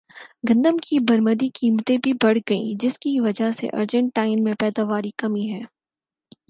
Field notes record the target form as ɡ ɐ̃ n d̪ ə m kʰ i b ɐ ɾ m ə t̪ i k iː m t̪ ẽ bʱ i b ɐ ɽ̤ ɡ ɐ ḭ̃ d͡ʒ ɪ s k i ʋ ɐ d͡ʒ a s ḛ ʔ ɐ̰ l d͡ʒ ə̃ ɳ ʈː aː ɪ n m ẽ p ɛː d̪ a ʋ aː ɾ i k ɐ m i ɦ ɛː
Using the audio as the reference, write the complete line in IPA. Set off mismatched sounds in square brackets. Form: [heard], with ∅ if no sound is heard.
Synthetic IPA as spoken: ɡ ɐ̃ n d̪ ə m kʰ i b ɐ ɾ m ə [d̪] i k iː m t̪ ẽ bʱ i b ɐ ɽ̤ ɡ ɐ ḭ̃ d͡ʒ ɪ s k i ʋ ɐ d͡ʒ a s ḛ ʔ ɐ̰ [ɾ] d͡ʒ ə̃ ɳ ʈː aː ɪ n m ẽ p ɛː d̪ a ʋ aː ɾ i k ɐ m i ɦ ɛː